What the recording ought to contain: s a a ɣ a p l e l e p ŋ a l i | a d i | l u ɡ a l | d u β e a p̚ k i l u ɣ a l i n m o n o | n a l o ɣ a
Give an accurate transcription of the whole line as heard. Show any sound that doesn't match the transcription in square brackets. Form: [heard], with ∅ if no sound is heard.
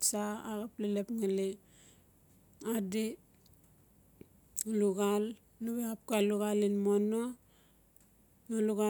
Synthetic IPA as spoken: s a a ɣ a p l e l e p ŋ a l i | a d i | l u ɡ a l | [n] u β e a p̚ k [a] l u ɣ a l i n m o n o | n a l [u] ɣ a